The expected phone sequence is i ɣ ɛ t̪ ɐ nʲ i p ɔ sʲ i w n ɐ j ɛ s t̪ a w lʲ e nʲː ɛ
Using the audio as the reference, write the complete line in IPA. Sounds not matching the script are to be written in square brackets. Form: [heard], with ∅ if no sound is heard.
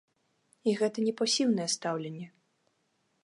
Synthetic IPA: i ɣ ɛ t̪ ɐ nʲ [ɛ] p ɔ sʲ i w n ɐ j ɛ s t̪ a w lʲ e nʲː ɛ